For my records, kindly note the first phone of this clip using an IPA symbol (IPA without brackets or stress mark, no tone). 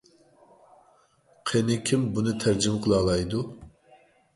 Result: qʰ